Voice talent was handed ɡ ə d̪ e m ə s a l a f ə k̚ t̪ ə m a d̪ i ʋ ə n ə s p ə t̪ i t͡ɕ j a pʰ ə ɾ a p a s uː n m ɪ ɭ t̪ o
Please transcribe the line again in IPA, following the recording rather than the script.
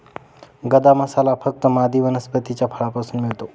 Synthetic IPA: ɡ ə d̪ a m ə s a l a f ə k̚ t̪ ə m a d̪ i ʋ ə n ə s p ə t̪ i t͡ɕ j a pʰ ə ɭ a p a s uː n m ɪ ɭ t̪ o